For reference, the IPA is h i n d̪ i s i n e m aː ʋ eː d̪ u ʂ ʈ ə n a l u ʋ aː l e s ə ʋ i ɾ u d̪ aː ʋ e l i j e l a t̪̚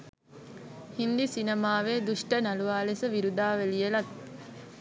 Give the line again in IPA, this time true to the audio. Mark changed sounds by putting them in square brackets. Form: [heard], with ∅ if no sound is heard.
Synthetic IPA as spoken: h i n d̪ i s i n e m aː ʋ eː d̪ u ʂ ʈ ə n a l u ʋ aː l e s ə ʋ i ɾ u d̪ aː ʋ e l i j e l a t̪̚